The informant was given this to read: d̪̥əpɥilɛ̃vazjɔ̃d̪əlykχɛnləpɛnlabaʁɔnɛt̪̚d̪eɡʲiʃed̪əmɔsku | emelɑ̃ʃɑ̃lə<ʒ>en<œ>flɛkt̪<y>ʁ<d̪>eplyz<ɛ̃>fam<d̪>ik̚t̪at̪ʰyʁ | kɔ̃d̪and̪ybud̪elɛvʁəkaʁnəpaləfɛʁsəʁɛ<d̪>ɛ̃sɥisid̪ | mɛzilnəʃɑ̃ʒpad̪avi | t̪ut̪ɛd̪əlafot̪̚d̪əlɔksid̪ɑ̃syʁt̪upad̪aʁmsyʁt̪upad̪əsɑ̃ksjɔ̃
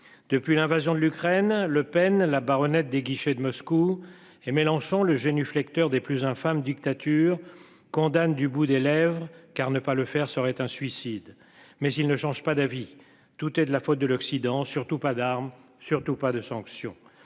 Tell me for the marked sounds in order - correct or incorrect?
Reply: correct, incorrect, incorrect, correct, correct, correct, incorrect

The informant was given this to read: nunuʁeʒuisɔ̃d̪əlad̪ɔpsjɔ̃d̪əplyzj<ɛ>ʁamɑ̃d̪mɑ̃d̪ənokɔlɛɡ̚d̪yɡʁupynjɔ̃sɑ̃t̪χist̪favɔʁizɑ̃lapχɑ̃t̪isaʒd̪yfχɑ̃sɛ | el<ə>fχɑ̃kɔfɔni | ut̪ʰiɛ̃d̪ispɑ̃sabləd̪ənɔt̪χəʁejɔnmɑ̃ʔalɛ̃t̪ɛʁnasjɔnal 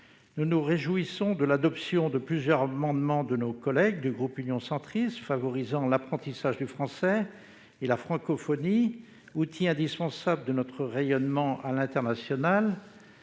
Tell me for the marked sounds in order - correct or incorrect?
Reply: incorrect, incorrect

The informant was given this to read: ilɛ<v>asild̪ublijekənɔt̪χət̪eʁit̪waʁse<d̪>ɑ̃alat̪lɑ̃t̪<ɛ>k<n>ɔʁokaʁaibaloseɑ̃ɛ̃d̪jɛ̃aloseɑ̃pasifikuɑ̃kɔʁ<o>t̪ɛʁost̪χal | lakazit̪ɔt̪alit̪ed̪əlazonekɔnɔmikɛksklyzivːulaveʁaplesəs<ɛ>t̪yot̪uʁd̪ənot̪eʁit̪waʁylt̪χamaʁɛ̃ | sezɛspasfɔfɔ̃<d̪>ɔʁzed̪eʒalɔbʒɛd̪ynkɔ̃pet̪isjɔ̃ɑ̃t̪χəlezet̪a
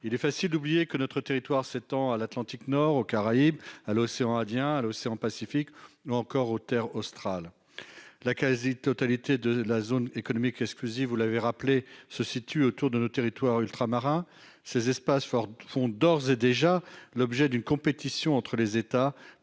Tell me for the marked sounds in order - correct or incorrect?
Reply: incorrect, incorrect, incorrect, correct, correct, incorrect, correct

